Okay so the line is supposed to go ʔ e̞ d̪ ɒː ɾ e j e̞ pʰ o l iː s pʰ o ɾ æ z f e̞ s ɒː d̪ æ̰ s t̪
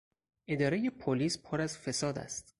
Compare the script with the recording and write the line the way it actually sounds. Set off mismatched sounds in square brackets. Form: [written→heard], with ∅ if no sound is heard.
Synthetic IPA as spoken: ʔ e̞ d̪ ɒː ɾ e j e̞ pʰ o l iː s pʰ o ɾ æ z f e̞ s ɒː d̪ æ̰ s t̪